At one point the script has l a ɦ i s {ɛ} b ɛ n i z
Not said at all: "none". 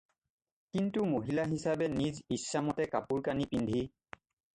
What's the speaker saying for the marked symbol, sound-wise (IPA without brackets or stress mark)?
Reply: a